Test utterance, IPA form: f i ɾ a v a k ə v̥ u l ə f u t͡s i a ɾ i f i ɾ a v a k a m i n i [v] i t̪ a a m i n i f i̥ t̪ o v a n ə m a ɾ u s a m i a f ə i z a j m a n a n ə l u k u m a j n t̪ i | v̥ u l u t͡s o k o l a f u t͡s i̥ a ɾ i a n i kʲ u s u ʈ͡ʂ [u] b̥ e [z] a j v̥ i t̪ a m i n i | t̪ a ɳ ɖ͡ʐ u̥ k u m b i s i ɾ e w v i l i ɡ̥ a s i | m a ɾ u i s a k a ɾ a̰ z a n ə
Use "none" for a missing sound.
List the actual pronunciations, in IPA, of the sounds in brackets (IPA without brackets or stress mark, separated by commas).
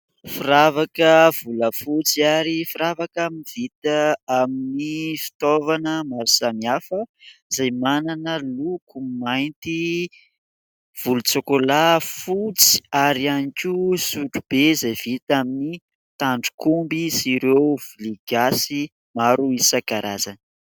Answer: v, u, z